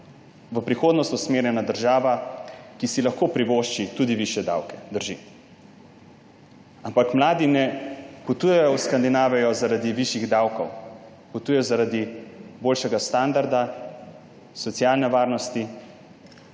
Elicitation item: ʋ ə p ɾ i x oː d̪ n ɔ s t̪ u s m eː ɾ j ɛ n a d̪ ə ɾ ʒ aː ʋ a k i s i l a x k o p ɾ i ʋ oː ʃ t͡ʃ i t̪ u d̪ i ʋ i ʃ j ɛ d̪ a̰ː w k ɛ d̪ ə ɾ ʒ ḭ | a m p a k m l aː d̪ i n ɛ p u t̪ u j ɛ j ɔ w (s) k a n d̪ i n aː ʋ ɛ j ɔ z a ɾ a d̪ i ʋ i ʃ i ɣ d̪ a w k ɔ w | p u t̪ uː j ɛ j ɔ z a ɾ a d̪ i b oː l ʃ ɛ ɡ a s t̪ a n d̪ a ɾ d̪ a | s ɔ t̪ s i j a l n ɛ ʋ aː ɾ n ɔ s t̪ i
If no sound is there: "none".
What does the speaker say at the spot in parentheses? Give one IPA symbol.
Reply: s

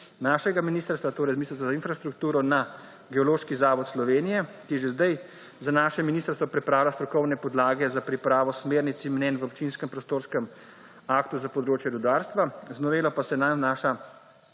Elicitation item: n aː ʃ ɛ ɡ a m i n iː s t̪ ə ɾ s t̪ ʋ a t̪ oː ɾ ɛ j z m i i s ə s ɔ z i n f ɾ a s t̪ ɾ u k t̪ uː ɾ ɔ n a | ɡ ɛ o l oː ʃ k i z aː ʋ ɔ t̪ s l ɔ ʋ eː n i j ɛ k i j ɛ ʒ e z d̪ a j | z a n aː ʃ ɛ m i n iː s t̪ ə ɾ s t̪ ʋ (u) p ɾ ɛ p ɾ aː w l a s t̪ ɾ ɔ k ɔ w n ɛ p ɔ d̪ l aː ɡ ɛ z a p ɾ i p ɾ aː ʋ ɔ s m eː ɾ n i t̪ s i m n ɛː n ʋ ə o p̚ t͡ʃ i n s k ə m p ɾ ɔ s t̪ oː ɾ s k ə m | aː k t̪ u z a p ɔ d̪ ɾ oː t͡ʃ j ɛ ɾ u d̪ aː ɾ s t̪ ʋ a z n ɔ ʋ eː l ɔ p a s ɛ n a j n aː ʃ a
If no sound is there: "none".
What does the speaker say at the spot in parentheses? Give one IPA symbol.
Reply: ɔ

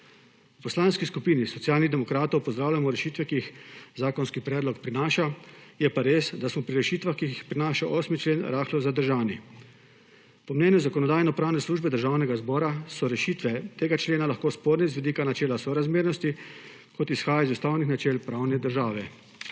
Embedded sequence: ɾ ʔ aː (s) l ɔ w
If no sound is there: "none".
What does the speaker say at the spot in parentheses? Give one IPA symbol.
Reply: x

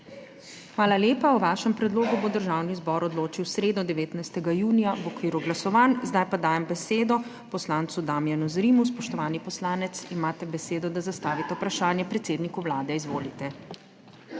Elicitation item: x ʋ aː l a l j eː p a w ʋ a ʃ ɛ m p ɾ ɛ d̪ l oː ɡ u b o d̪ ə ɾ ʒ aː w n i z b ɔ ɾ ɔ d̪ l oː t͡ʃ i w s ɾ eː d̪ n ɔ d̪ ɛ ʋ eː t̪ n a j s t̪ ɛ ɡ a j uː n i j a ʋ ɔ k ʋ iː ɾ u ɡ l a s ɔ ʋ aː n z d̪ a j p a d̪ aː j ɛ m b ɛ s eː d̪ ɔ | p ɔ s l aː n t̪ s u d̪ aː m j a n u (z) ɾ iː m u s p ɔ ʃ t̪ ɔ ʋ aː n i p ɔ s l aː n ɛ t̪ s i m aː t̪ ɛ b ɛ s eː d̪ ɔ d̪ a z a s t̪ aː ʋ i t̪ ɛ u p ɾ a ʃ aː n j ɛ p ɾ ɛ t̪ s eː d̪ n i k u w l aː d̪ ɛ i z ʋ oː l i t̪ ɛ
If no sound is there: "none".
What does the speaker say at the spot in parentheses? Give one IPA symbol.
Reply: z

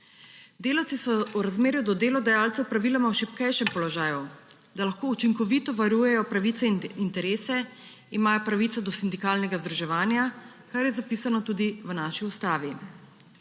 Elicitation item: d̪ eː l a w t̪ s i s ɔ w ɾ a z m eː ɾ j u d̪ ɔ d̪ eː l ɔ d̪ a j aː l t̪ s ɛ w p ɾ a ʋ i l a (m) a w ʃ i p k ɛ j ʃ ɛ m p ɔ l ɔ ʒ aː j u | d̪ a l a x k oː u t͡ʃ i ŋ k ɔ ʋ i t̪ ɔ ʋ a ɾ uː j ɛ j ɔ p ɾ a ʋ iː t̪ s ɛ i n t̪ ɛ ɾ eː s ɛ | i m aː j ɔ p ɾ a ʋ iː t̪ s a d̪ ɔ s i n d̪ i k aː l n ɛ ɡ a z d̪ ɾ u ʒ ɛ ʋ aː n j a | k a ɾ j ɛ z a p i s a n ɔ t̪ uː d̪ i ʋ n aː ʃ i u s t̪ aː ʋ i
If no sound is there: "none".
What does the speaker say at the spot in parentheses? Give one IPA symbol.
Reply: m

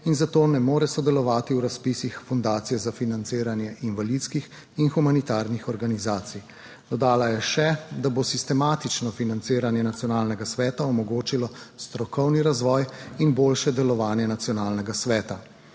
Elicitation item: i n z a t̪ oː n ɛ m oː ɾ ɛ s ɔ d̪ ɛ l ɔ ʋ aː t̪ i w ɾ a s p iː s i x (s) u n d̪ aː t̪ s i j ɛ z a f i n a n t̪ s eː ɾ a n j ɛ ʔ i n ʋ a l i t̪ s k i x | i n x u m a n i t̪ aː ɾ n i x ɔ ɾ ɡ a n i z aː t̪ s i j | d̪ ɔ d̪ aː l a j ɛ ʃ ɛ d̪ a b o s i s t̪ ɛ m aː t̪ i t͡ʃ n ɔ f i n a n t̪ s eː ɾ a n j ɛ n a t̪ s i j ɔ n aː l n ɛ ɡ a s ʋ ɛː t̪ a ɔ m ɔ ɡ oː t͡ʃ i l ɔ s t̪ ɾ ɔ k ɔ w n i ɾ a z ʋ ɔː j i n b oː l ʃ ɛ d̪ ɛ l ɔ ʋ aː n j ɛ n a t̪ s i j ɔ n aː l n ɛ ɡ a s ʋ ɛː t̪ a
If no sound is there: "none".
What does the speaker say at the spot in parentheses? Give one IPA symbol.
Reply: f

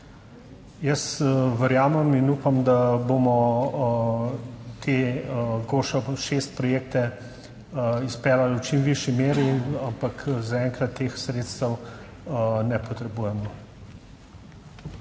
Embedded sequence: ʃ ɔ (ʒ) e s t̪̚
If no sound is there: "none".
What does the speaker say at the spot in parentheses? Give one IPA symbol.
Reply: ʃ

